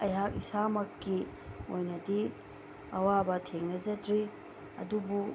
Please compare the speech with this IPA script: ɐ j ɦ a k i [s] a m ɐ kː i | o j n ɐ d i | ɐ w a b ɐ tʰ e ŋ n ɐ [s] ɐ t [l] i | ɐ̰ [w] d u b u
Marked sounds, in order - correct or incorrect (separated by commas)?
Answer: correct, incorrect, incorrect, incorrect